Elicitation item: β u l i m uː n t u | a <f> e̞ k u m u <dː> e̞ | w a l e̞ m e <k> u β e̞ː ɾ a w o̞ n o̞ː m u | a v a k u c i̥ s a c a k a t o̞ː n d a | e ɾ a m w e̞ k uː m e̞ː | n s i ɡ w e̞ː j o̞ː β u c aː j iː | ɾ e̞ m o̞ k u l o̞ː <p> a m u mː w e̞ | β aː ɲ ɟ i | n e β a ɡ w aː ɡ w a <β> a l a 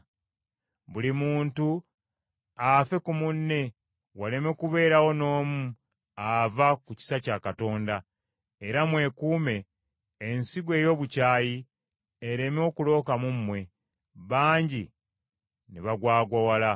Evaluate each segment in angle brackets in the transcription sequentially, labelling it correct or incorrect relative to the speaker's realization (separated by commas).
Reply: correct, incorrect, correct, incorrect, incorrect